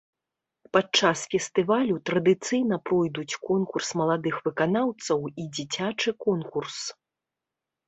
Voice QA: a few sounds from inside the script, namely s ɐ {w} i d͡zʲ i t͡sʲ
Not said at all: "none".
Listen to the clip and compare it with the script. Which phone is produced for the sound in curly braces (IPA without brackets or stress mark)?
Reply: w